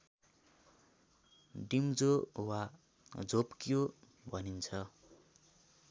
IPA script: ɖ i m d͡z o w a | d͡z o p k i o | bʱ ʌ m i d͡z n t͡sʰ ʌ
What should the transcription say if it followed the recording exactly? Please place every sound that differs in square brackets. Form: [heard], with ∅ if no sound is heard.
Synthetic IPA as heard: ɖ i m d͡z o w a | d͡z o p k [j] o | bʱ ʌ [n] i [∅] n t͡sʰ ʌ